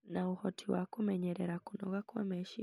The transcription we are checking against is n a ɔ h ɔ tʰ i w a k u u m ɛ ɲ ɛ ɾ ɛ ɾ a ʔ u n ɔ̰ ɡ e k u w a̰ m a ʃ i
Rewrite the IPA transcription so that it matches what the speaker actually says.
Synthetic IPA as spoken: n a u h ɔ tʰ i w a k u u m ɛ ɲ ɛ ɾ ɛ ɾ a k u n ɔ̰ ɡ a k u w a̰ m ɛ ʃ i